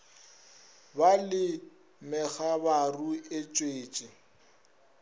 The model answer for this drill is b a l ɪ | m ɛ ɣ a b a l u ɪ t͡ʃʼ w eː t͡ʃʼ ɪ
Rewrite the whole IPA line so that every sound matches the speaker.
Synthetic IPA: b a l ɪ | m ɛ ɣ a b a r u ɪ t͡ʃʼ w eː t͡ʃʼ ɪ

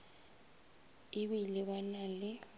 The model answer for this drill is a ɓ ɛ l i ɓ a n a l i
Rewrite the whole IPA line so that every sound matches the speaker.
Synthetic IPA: i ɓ i l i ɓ a n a l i

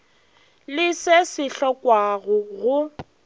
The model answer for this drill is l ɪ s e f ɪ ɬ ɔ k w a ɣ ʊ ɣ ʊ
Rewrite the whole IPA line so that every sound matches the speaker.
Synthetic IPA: l ɪ s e s ɪ ɬ ɔ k w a ɣ ʊ ɣ ʊ

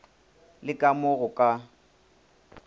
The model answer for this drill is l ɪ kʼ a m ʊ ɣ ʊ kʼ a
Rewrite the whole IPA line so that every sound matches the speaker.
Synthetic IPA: l ɪ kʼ a m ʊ ɣ ʊ kʼ a

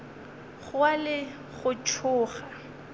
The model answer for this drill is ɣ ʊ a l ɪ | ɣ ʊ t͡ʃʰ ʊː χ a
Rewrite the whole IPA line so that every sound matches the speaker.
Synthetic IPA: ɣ ʊ a l ɪ | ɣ ʊ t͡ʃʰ ʊː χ a

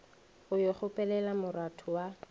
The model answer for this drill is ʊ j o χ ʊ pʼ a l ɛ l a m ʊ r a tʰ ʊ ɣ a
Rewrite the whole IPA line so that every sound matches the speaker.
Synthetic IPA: ʊ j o χ ʊ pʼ ɛ l ɛ l a m ʊ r a tʰ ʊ w a

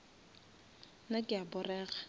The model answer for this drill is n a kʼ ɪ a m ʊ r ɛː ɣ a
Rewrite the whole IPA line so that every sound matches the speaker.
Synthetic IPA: n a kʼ ɪ a b ʊ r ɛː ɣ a

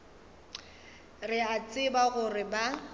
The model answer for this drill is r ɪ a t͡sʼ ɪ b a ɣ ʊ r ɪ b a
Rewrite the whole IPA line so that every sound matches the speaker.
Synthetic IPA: r ɪ a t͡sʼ ɪ b a ɣ ʊ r ɪ b a

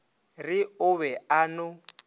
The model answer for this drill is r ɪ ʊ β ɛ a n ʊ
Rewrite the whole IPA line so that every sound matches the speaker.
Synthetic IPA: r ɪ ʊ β ɛ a n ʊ

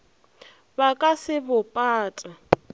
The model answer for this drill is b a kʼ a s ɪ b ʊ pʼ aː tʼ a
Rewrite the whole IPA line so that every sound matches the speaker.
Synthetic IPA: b a kʼ a s ɪ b ʊ pʼ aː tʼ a

